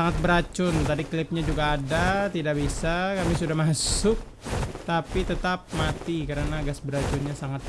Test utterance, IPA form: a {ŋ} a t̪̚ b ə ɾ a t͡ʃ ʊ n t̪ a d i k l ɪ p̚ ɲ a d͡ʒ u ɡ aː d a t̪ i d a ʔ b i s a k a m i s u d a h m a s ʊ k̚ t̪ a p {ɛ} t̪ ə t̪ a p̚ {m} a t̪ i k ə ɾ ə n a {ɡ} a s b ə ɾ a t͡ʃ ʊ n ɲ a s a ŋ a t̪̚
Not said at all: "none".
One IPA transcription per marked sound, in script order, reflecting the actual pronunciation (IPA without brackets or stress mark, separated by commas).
ŋ, i, m, ɡ